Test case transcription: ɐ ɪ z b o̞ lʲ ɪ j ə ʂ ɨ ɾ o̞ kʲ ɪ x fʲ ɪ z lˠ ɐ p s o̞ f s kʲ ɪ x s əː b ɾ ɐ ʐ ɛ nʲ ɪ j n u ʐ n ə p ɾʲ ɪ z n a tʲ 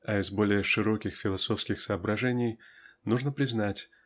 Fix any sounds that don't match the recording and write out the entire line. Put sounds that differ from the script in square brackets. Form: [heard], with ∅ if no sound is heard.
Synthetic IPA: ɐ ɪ z b o̞ lʲ ɪ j ə ʂ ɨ ɾ o̞ kʲ ɪ x fʲ ɪ [∅] lˠ ɐ [∅] s o̞ f s kʲ ɪ x s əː b ɾ ɐ ʐ ɛ nʲ ɪ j n u ʐ n ə p ɾʲ ɪ z n a tʲ